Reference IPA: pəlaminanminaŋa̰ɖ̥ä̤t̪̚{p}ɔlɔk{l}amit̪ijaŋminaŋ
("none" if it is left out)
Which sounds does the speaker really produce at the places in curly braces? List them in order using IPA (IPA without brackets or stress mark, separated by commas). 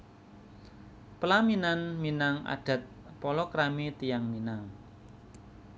p, ɾ